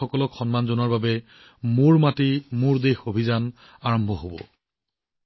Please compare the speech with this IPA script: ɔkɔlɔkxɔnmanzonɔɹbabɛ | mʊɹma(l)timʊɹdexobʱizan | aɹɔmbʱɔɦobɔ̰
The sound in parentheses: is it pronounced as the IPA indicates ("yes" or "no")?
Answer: no